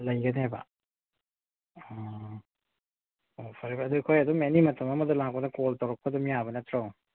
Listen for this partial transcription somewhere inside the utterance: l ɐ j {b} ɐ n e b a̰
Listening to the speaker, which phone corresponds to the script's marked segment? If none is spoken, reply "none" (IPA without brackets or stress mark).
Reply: ɡ